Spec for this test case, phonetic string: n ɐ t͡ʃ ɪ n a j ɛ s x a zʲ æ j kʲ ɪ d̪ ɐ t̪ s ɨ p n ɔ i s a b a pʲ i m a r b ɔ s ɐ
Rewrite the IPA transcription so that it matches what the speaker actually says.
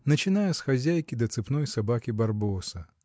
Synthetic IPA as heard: n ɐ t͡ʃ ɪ n a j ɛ s x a zʲ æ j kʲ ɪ d̪ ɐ t̪ s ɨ p n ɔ j s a b a kʲ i b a r b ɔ s ɐ